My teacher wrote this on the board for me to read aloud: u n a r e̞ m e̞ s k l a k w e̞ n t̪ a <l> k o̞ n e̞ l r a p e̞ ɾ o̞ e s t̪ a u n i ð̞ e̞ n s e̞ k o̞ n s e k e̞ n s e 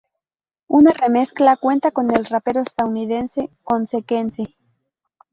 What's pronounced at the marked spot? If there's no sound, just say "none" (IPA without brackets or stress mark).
none